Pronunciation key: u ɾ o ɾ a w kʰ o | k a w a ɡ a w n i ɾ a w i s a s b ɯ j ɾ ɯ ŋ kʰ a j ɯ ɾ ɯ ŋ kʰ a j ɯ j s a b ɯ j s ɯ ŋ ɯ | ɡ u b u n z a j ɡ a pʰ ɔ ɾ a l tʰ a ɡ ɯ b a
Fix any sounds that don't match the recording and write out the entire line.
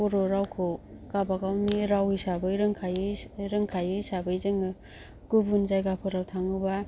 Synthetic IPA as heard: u ɾ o ɾ a w kʰ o | k a b a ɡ a w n i ɾ a w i s a b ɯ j ɾ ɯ ŋ kʰ a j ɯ ɾ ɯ ŋ kʰ a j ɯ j s a b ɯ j z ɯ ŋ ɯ | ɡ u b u n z a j ɡ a pʰ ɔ ɾ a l tʰ a ŋ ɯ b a